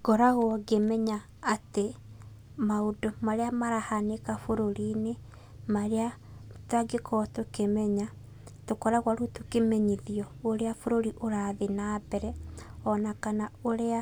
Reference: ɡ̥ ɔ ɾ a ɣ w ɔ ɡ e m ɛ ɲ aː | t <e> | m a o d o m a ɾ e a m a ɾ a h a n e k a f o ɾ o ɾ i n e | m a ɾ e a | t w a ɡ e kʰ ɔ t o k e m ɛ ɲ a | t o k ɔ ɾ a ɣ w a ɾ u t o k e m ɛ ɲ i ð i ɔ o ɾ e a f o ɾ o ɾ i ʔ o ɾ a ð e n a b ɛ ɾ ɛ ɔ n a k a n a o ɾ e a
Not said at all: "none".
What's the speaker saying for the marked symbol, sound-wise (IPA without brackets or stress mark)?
e